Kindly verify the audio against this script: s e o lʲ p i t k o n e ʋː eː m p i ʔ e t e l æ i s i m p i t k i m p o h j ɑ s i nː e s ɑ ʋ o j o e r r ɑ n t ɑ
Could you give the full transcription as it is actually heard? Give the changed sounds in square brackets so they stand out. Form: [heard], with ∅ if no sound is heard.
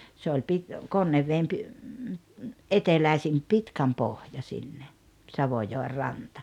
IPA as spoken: s e o lʲ p i t k o [nː] e ʋː eː m p i ʔ e t e l æ i s i m p i t k [æ] m p o h j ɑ s i nː e s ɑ ʋ o j o e r r ɑ n t ɑ